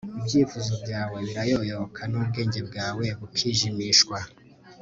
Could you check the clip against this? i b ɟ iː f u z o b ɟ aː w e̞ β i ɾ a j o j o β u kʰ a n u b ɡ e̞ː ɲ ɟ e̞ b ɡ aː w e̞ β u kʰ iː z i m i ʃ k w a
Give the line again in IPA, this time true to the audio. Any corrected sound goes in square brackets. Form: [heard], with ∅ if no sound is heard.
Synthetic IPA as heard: i b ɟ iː f u z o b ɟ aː w e̞ β i ɾ a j o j o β [o] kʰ a n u b ɡ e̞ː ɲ ɟ e̞ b ɡ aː w e̞ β u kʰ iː [ʒ] i m i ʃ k w a